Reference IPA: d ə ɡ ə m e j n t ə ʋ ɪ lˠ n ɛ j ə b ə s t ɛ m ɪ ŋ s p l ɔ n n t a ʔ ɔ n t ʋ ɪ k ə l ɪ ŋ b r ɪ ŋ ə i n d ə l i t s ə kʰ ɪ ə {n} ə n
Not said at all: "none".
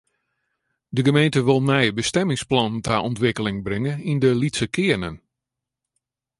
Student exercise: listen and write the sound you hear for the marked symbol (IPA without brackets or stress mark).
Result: n